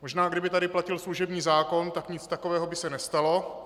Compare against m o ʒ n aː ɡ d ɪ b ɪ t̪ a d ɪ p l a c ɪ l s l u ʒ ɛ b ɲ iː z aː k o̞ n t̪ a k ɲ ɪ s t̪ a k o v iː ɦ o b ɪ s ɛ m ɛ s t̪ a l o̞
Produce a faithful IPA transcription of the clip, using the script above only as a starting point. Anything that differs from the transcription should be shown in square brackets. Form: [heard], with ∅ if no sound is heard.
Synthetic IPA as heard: m o ʒ n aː ɡ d ɪ b ɪ t̪ a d ɪ p l a c ɪ l s l u ʒ ɛ b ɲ iː z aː k o̞ n t̪ a k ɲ ɪ [t͡s] t̪ a k o v [ɛː] ɦ o b ɪ s ɛ [n] ɛ s t̪ a l o̞